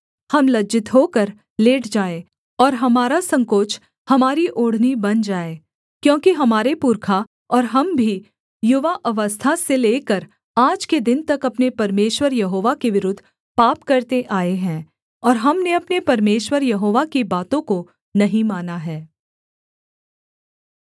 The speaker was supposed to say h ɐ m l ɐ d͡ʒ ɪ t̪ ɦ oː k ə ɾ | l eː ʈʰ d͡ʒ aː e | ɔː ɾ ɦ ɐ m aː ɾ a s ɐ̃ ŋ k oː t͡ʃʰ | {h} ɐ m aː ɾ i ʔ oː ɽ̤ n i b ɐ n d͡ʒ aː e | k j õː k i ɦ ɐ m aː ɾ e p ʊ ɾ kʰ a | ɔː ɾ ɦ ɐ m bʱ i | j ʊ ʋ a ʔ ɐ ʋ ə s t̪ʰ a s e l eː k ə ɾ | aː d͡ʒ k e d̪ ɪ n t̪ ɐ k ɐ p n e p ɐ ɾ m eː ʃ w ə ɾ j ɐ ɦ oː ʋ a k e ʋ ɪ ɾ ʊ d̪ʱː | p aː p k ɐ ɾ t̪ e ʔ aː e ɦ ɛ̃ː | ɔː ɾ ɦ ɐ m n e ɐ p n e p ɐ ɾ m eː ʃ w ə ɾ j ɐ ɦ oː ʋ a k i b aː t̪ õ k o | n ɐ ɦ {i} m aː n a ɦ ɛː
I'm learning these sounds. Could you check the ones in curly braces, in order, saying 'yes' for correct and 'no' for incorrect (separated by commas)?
yes, no